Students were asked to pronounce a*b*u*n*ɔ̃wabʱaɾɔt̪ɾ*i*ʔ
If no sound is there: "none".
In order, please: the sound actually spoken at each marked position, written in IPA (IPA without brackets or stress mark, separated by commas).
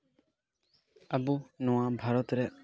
b, n, ɛ